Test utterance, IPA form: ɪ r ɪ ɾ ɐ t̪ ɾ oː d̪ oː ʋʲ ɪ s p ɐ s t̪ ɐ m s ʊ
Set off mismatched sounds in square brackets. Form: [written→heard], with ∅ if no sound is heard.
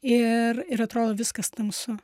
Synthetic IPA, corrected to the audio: ɪ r ɪ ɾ ɐ t̪ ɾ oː d̪ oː ʋʲ ɪ s [p→k] ɐ s t̪ ɐ m s ʊ